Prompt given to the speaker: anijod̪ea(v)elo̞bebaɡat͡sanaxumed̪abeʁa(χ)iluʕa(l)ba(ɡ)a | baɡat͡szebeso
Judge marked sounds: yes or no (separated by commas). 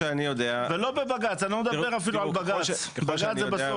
yes, no, yes, yes